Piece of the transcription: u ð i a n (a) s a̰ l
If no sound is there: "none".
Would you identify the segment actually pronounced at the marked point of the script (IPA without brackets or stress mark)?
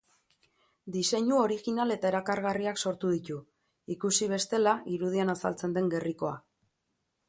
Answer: a